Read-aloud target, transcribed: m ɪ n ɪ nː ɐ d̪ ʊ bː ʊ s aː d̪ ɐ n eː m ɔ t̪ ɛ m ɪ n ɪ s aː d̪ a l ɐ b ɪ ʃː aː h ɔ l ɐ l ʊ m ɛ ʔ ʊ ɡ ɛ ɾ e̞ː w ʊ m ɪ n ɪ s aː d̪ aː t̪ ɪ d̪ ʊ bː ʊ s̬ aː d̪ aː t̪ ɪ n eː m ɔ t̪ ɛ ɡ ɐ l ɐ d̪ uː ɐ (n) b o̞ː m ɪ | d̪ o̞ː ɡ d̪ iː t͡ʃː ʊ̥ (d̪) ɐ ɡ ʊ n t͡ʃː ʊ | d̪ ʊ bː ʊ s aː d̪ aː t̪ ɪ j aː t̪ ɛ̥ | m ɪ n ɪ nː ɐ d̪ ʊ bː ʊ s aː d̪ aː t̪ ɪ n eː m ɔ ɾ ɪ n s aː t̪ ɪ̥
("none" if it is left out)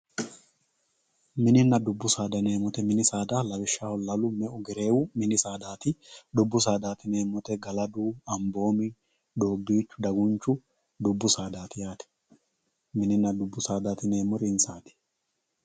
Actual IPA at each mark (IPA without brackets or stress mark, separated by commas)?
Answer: m, d̪